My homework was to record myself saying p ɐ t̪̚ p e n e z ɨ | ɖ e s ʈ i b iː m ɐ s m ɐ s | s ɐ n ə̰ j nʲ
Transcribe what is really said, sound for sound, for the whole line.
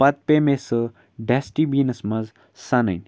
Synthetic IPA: p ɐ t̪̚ p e m e s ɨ | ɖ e s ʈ i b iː n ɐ s m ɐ z | s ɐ n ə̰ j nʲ